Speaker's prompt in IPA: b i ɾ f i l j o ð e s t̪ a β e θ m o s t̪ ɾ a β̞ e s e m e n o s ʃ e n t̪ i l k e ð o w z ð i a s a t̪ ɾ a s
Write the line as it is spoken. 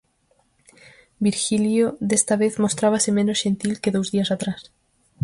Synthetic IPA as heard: b i ɾ x i l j o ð e s t̪ a β e θ m o s t̪ ɾ a β̞ a s e m e n o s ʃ e n t̪ i l k e ð o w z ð i a s a t̪ ɾ a s